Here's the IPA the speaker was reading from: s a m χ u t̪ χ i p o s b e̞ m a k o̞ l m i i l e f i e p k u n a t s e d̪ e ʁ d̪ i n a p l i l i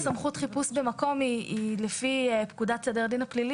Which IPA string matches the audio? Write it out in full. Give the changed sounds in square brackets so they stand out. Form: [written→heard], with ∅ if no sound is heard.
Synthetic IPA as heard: s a m χ u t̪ χ i p [o→u] s b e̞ m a k o̞ [l→∅] m i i l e f i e p k u [n→d] a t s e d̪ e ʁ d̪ i n a p l i l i